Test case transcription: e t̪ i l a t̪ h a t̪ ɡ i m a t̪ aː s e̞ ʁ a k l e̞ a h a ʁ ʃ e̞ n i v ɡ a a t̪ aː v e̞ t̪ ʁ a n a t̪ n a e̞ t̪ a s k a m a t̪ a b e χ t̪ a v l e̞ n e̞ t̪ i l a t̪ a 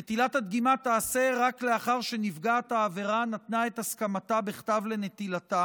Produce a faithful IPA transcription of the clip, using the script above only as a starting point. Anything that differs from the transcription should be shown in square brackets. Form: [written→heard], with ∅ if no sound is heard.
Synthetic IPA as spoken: e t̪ i l a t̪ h a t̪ ɡ i m a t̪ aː s e̞ ʁ a k l e̞ a [h→χ] a ʁ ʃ e̞ n i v ɡ a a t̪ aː v e̞ [t̪→∅] ʁ a n a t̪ n a e̞ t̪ a s k a m a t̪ a b e χ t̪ a v l e̞ n e̞ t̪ i l a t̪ a

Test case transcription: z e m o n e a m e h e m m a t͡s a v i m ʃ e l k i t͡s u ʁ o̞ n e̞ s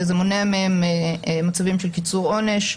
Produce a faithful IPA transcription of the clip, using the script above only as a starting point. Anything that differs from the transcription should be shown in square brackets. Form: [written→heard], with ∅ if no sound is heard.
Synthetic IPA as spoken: z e m o n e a m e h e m m a t͡s a v i m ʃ e l k i t͡s u ʁ o̞ n e̞ [s→ʃ]

